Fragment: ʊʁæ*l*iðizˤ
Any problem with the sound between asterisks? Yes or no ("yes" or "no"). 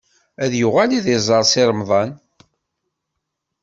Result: no